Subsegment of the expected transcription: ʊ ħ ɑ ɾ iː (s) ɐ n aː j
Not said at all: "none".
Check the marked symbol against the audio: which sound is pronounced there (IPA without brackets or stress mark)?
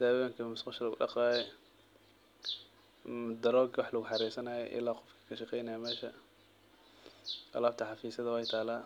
s